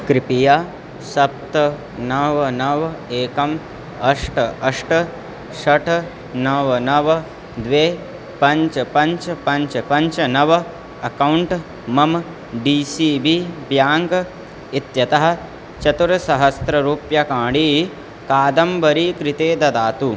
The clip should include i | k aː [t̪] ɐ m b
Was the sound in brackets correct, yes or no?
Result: no